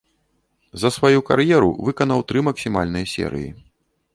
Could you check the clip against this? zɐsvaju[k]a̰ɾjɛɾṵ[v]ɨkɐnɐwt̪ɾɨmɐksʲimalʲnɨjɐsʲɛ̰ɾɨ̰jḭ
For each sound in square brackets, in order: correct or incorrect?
correct, correct

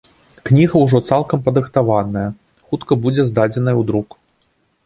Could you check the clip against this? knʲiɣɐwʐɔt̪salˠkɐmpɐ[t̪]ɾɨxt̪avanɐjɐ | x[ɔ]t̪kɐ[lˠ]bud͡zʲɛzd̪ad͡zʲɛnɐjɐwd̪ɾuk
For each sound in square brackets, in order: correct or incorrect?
incorrect: d̪, incorrect: u, incorrect: none

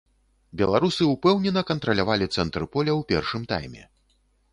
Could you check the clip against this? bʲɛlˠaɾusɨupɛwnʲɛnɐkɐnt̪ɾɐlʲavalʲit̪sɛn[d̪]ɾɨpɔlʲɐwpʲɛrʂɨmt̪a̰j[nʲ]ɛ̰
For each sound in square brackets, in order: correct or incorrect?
incorrect: t̪, incorrect: mʲ

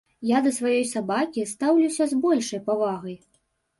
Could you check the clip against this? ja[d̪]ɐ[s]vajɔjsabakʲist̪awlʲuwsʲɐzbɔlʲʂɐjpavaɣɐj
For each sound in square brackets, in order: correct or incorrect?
correct, correct

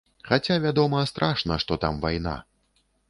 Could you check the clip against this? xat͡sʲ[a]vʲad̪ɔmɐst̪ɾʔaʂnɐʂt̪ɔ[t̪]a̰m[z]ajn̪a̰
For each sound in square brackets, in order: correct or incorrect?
correct, correct, incorrect: v

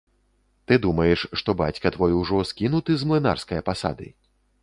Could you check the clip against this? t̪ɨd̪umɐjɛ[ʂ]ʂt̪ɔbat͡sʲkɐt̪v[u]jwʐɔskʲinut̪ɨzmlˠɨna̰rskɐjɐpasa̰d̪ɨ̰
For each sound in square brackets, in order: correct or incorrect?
correct, incorrect: ɔ

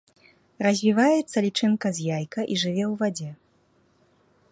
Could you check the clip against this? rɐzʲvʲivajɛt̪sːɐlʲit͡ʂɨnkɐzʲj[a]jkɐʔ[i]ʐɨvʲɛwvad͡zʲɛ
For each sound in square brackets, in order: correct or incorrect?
correct, correct

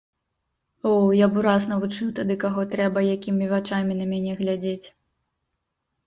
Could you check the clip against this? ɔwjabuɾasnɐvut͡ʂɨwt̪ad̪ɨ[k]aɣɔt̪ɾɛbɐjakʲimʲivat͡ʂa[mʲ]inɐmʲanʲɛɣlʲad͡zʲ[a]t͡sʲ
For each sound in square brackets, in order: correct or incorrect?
correct, correct, incorrect: e

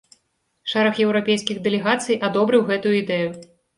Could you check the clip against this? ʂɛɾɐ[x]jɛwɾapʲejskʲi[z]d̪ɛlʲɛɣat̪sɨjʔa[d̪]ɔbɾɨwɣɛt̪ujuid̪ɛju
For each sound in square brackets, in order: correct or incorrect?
correct, incorrect: ɣ, correct

